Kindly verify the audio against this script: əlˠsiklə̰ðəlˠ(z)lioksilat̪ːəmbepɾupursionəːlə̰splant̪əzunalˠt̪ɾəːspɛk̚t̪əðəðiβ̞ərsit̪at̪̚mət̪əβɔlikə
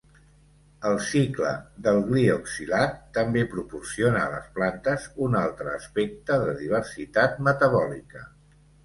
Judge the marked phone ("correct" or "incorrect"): incorrect